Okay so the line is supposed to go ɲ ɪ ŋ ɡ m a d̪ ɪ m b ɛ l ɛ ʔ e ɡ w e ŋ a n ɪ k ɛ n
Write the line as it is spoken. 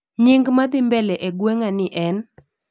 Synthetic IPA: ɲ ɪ ŋ ɡ m a d̪ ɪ m b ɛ l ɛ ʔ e ɡ w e ŋ a n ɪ ʔ ɛ n